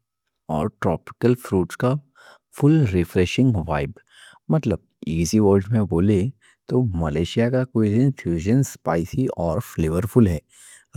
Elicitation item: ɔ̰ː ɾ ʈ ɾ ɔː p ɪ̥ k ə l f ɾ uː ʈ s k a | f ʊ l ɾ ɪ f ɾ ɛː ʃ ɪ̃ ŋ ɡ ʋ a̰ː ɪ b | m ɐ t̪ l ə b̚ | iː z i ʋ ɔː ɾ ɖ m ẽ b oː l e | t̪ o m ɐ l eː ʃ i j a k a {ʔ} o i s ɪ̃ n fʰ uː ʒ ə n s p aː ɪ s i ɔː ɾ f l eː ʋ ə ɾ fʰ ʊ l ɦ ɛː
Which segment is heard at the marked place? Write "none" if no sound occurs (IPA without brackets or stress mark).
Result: k